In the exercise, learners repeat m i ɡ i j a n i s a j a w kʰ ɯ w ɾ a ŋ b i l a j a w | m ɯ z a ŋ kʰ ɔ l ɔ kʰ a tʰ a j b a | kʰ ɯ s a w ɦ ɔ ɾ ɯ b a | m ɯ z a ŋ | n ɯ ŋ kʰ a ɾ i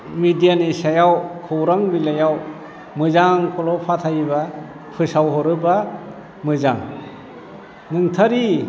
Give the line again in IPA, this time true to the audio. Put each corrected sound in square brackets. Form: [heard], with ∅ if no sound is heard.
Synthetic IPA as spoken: m i [d] i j a n i s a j a w kʰ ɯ w ɾ a ŋ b i l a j a w | m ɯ z a ŋ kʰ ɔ l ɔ [pʰ] a tʰ a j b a | [pʰ] ɯ s a w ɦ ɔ ɾ ɯ b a | m ɯ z a ŋ | n ɯ ŋ [tʰ] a ɾ i

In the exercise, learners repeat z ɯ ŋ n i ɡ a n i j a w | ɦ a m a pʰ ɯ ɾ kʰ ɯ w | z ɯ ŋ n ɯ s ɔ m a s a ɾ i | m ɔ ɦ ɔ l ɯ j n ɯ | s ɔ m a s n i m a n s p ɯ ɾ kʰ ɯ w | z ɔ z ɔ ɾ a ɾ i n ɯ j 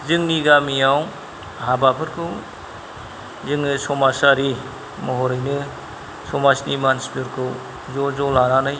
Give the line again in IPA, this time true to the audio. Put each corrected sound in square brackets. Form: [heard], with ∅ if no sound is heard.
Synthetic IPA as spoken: z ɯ ŋ n i ɡ a [m] i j a w | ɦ a [b] a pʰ ɯ ɾ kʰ ɯ w | z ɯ ŋ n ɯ s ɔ m a s a ɾ i | m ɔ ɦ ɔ [ɾ] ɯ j n ɯ | s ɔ m a s n i m a n s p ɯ ɾ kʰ ɯ w | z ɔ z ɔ [l] a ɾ [a] n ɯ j

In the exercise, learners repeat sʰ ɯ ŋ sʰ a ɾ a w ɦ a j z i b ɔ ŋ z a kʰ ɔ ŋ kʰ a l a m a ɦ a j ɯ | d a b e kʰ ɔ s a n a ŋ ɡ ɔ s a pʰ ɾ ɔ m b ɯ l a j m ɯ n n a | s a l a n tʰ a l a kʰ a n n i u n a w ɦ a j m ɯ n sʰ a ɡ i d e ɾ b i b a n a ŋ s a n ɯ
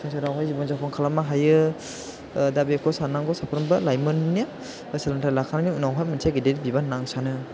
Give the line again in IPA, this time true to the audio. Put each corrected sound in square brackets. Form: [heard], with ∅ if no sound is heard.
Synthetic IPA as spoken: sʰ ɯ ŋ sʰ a ɾ a w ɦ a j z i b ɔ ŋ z a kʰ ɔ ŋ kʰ a l a m a ɦ a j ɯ | d a b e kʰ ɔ s a n a ŋ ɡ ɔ s a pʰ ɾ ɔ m b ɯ l a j m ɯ n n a | s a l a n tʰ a l a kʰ a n n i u n a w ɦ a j m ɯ n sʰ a ɡ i d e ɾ b i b a n a ŋ s a n ɯ

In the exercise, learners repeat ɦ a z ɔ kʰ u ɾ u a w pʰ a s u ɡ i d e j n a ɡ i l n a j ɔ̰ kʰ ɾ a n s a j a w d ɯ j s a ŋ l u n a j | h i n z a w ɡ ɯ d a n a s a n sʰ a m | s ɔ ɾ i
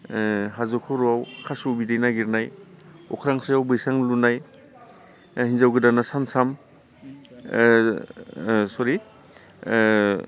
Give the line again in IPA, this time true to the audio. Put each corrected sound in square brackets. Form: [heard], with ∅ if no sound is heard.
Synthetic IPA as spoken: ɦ a z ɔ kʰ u ɾ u a w [kʰ] a s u [b] i d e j n a ɡ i [ɾ] n a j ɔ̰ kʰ ɾ a [ŋ] s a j a w [b] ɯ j s a ŋ l u n a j | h i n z a w ɡ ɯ d a n a s a n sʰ a m | s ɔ ɾ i

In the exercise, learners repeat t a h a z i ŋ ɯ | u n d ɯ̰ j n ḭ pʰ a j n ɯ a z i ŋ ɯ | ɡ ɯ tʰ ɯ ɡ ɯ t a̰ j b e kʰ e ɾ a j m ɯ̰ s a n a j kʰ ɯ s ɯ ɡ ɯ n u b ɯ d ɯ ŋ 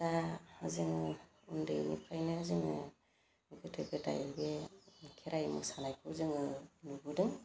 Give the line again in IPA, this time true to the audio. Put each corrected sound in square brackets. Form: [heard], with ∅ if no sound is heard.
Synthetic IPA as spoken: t a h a z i ŋ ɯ | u n d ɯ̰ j n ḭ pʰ a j n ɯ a z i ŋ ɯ | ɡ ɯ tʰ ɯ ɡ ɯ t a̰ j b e kʰ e ɾ a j m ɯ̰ s a n a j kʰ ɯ [z] ɯ [ŋ] ɯ n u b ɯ d ɯ ŋ

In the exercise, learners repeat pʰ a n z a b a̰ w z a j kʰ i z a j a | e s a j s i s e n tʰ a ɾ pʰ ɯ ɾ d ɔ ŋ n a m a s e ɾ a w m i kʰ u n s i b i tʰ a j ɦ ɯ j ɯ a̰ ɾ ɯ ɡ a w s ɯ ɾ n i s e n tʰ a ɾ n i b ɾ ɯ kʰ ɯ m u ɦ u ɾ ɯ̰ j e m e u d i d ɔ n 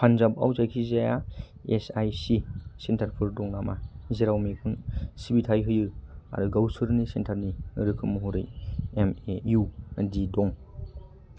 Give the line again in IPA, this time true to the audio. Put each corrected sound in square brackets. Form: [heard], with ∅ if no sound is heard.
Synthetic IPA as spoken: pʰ a n z a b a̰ w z a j kʰ i z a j a | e s a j s i s e n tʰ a ɾ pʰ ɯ ɾ d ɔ ŋ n a m a [z] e ɾ a w m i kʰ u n s i b i tʰ a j ɦ ɯ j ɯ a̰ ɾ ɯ ɡ a w s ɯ ɾ n i s e n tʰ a ɾ n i [∅] ɾ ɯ kʰ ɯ m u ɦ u ɾ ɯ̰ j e m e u d i d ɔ [ŋ]

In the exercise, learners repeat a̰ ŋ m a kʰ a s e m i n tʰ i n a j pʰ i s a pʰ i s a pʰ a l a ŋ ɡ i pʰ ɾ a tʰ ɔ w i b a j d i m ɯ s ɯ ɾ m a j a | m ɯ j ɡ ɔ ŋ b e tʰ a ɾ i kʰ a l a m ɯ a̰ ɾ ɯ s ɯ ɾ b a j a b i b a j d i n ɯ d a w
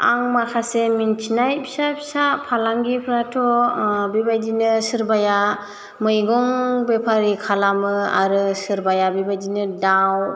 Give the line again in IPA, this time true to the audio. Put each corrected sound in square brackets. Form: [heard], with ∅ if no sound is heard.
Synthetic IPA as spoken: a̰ ŋ m a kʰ a s e m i n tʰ i n a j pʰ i s a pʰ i s a pʰ a l a ŋ ɡ i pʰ ɾ a tʰ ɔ [b] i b a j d i [n] ɯ s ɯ ɾ [b] a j a | m ɯ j ɡ ɔ ŋ b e [pʰ] a ɾ i kʰ a l a m ɯ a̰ ɾ ɯ s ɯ ɾ b a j a b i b a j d i n ɯ d a w

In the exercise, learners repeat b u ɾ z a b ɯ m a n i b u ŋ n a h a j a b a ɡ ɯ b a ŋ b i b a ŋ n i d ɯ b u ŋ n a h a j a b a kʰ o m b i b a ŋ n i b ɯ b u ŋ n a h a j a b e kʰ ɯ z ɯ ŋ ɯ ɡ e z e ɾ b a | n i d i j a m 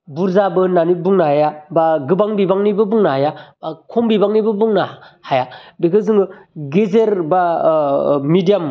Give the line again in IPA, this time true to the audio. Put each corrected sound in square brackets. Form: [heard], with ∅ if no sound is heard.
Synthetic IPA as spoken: b u ɾ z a b ɯ [n] a n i b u ŋ n a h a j a b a ɡ ɯ b a ŋ b i b a ŋ n i [b] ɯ b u ŋ n a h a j a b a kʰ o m b i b a ŋ n i b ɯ b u ŋ n a h a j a b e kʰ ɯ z ɯ ŋ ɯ ɡ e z e ɾ b a | [m] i d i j a m

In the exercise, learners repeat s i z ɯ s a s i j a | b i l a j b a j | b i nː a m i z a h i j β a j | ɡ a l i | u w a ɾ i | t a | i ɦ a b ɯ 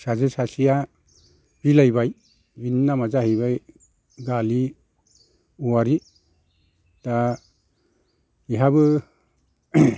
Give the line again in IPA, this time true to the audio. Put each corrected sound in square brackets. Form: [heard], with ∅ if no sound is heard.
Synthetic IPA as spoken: s [a] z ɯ s a s i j a | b i l a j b a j | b i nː a m [a] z a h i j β a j | ɡ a l i | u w a ɾ i | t a | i ɦ a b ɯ

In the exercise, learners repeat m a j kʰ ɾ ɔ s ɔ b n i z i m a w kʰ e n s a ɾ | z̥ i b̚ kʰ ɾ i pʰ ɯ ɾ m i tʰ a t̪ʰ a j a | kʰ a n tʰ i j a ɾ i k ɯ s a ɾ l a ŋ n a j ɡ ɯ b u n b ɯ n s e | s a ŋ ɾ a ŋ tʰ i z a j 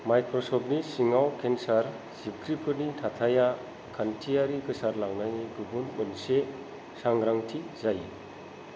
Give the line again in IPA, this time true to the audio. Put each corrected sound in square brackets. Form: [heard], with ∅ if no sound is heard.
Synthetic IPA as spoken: m a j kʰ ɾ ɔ s ɔ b n i [s] i [ŋ] a w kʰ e n s a ɾ | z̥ i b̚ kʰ ɾ i pʰ ɯ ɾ [n] i tʰ a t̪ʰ a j a | kʰ a n tʰ i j a ɾ i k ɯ s a ɾ l a ŋ n a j ɡ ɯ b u n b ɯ n s e | s a ŋ ɾ a ŋ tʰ i z a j

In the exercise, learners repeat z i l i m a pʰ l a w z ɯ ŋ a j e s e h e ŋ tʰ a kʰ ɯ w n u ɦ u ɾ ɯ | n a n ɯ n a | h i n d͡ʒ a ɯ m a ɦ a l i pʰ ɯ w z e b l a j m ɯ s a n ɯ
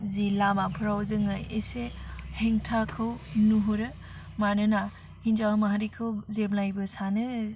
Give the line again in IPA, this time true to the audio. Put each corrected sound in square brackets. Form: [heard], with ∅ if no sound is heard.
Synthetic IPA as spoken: z i l [a] m a pʰ [ɾ] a w z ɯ ŋ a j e s e h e ŋ tʰ a kʰ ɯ w n u ɦ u ɾ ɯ | [m] a n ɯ n a | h i n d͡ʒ a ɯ m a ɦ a [ɾ] i [kʰ] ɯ w z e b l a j [b] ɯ s a n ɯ

